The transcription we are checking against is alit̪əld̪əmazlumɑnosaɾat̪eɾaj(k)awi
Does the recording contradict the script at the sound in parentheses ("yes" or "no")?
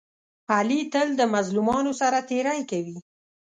no